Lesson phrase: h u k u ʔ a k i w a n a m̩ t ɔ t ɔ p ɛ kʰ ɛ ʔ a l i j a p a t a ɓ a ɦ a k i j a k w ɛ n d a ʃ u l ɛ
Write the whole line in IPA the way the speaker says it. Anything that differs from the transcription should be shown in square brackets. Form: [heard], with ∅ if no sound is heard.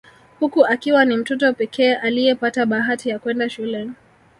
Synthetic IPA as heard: h u k u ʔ a k i w a n [i] m̩ t ɔ t ɔ p ɛ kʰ [ɛː] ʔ a l i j [ɛ] p a t a ɓ a ɦ a [t] i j a k w ɛ n d a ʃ u l ɛ